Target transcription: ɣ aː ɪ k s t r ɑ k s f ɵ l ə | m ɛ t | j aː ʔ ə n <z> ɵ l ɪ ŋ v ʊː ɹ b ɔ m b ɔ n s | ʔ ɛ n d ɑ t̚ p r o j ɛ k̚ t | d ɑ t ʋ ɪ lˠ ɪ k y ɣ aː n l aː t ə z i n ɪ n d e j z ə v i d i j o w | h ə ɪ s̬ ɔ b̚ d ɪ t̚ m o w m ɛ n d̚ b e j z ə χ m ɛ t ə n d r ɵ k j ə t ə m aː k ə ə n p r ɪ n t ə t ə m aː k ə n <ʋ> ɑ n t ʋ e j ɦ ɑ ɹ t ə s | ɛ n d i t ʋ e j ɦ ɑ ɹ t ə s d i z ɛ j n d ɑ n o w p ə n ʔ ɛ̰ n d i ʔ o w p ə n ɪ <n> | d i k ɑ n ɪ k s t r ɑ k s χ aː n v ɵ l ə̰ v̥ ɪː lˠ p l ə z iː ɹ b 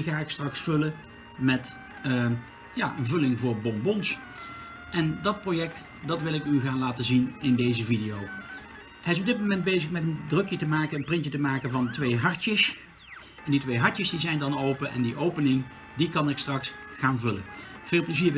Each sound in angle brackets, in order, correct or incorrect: incorrect: v, incorrect: v, incorrect: ŋ

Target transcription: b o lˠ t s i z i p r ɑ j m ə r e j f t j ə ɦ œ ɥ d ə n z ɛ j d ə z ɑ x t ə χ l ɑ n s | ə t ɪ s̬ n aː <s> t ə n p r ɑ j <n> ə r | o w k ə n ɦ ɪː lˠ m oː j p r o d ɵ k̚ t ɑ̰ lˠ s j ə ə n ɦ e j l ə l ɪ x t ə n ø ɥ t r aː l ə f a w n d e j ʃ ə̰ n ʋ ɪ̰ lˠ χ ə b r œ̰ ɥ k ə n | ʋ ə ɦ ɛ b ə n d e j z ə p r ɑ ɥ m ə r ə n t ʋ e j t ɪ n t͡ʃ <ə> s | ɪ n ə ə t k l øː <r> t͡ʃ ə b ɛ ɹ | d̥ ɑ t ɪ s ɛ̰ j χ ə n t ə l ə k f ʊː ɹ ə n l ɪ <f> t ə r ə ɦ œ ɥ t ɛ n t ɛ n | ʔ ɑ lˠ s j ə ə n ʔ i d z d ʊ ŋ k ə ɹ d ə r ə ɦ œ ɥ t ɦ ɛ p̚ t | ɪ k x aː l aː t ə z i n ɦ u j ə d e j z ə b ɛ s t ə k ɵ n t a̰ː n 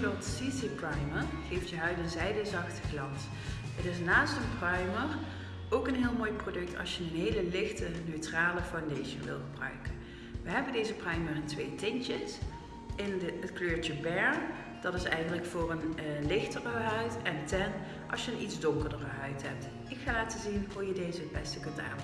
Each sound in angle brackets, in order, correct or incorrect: correct, incorrect: m, correct, incorrect: ɹ, incorrect: x

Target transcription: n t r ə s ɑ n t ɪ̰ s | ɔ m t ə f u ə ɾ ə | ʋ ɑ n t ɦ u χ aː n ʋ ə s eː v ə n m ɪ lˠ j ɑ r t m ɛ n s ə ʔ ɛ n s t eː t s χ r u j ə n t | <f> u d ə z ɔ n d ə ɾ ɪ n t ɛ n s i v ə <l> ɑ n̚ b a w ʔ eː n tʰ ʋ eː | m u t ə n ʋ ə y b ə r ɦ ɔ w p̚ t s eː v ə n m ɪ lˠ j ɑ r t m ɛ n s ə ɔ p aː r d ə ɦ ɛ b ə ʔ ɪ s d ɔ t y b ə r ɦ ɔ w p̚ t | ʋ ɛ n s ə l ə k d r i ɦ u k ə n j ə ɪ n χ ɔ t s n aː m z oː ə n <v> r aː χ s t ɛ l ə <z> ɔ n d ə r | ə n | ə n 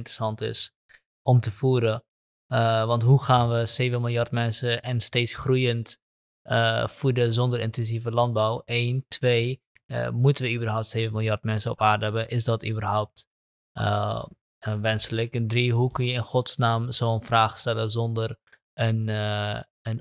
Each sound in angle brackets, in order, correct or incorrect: correct, correct, incorrect: f, correct

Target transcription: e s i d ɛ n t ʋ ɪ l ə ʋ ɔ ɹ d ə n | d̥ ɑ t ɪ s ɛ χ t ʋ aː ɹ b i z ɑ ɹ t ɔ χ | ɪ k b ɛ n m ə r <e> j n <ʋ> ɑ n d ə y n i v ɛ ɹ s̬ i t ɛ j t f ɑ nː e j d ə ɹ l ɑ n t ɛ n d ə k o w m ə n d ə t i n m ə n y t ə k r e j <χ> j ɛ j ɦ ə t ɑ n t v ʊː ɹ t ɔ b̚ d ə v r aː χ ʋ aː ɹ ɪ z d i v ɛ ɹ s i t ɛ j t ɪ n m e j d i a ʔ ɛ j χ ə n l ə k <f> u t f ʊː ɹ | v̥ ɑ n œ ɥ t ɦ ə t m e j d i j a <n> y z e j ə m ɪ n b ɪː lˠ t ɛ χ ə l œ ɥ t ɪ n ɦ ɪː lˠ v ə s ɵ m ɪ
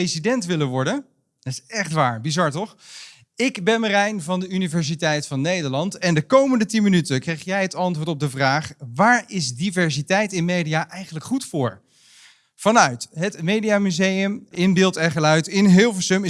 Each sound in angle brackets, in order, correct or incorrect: incorrect: ɛ, incorrect: v, correct, incorrect: χ, incorrect: m

